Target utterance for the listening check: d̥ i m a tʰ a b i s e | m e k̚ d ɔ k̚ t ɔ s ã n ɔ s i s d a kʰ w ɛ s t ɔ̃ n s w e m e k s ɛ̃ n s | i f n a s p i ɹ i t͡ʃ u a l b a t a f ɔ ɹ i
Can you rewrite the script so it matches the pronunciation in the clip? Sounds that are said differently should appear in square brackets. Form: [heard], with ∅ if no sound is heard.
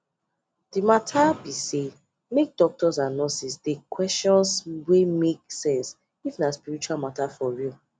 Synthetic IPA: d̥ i m a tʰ a b i s e | m e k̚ d ɔ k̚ t ɔ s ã n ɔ s i s d [e] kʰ w ɛ s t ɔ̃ n s w e m e k s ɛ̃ n s | i f n a s p i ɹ i t͡ʃ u a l [m] a t a f ɔ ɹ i